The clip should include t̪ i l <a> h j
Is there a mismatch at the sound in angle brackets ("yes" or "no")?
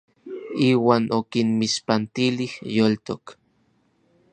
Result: yes